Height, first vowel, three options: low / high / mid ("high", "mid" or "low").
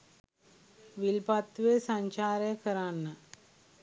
high